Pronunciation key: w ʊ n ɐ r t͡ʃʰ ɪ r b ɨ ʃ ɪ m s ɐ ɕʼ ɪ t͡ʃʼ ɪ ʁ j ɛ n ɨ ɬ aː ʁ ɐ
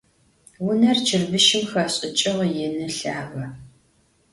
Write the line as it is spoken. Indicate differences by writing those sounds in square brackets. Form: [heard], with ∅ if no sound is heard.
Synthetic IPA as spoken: w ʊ n ɐ r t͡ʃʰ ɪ r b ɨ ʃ ɪ m [x] ɐ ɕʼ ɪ t͡ʃʼ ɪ ʁ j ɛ n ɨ ɬ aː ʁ ɐ